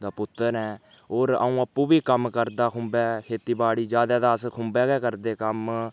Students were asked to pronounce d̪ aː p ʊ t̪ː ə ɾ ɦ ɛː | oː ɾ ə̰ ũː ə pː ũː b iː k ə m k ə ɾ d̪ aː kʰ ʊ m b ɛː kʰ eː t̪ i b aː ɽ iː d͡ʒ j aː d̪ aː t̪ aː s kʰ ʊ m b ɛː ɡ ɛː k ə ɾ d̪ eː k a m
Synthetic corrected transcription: d̪ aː p ʊ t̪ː ə ɾ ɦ ɛː | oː ɾ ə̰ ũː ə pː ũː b iː k ə m k ə ɾ d̪ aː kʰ ʊ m b ɛː kʰ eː t̪ iː b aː ɽ iː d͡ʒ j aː d̪ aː d̪ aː s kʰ ʊ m b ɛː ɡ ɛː k ə ɾ d̪ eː k ə m